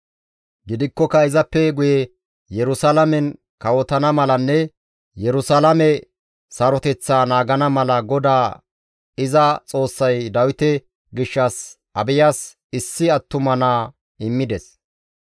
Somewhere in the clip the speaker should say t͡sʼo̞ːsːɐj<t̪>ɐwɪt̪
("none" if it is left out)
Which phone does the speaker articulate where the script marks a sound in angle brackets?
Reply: d̪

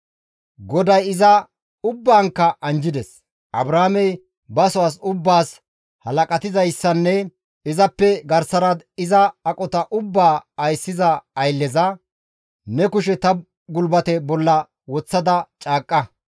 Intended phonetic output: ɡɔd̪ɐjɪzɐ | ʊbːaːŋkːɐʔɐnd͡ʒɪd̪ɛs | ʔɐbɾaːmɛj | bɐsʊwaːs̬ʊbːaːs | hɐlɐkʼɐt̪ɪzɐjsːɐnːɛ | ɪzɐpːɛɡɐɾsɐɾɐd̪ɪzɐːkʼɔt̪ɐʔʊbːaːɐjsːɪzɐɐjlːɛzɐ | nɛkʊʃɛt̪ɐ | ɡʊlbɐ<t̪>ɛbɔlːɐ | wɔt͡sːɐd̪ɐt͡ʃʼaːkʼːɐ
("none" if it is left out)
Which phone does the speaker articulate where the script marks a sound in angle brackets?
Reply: t̪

